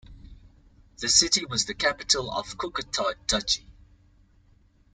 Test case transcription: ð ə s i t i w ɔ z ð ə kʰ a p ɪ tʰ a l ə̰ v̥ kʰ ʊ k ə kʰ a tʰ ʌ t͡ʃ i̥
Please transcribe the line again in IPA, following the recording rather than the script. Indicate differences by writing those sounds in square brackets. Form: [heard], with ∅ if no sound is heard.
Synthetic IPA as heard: ð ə s [ɪ] t i w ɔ z ð ə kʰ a p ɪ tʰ [ə] l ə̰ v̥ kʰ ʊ k ə [tʰ] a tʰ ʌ t͡ʃ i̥